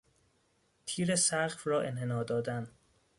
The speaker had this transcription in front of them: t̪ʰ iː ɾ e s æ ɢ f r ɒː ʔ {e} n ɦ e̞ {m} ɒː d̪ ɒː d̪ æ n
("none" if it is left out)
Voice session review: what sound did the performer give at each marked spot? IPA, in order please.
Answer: e, n

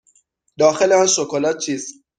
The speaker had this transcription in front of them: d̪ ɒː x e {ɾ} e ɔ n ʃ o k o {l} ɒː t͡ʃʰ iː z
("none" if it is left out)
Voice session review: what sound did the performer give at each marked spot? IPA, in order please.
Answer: l, l

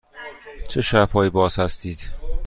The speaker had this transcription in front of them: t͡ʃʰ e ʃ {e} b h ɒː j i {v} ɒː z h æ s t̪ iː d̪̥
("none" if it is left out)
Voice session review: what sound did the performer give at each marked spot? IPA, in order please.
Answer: æ, b

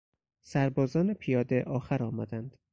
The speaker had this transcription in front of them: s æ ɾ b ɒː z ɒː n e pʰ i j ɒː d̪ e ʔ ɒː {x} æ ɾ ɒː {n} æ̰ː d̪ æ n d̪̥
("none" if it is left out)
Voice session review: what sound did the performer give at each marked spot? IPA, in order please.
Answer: x, m

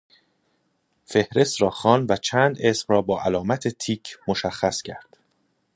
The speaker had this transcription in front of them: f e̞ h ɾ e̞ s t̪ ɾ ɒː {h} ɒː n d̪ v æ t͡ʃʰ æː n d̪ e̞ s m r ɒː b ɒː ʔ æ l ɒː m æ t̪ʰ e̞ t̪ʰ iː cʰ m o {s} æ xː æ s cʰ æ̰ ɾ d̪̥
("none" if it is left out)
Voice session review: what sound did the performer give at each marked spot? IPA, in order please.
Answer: x, ʃ

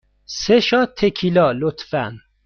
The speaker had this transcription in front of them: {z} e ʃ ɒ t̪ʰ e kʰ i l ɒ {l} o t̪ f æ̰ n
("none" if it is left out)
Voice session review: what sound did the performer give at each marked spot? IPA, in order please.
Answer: s, l

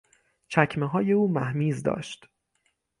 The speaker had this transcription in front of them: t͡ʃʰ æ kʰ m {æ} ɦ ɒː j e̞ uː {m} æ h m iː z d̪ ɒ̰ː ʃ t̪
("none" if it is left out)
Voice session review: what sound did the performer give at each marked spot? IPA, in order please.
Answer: e, m

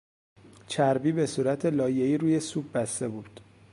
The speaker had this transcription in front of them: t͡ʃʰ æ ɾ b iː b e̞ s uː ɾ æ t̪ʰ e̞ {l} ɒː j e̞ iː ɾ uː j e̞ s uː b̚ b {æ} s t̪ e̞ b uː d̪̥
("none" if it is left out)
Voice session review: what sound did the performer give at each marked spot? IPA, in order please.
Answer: l, æ

